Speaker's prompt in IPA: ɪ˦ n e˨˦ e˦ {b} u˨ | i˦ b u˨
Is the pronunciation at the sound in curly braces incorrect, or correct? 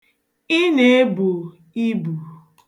correct